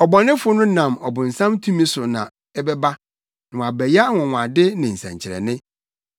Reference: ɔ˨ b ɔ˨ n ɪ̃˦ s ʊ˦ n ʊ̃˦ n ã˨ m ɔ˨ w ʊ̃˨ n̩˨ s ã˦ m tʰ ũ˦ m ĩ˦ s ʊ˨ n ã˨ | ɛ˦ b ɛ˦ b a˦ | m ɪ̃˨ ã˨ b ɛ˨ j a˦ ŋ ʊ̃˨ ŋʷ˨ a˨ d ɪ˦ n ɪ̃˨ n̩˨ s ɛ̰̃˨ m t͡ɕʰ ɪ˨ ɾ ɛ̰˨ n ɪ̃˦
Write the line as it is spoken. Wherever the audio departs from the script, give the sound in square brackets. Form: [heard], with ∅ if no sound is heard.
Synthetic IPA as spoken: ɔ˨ b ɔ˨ n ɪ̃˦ [f] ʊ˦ n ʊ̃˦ n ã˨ m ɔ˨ [b] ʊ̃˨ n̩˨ s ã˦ m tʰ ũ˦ m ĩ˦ s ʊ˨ n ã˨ | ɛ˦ b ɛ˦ b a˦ | [n] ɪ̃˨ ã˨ b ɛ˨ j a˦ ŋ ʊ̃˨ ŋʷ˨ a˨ d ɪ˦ n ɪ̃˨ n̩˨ s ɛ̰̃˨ [ɲ] t͡ɕʰ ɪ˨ ɾ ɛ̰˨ n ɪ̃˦